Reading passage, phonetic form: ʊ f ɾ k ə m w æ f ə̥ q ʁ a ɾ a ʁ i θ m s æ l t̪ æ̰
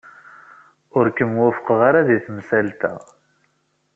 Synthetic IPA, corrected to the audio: ʊ ɾ k ə m w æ f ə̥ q ʁ a ɾ a ð i θ m s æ l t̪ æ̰